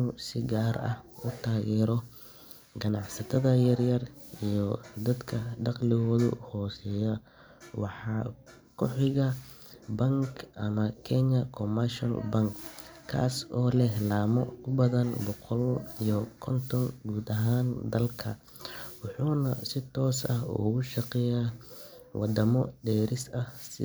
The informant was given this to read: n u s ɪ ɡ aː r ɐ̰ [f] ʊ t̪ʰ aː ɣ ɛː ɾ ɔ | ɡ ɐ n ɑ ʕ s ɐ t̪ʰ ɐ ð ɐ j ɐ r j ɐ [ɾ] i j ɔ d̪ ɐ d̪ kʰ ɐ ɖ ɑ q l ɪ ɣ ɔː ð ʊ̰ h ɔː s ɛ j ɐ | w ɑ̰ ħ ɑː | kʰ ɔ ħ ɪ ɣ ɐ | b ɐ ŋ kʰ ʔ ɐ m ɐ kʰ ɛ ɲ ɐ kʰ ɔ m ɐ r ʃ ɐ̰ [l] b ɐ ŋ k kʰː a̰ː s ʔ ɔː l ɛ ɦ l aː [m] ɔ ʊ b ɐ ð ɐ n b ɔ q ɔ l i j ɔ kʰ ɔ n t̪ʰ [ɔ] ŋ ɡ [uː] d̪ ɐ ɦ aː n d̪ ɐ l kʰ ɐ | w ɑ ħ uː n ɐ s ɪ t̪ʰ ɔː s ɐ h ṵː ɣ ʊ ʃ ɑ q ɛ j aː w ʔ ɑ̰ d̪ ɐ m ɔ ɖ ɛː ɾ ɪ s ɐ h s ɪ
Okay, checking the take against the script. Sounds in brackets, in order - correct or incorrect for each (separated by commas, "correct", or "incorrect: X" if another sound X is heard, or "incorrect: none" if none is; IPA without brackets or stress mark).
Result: incorrect: h, incorrect: r, correct, correct, correct, correct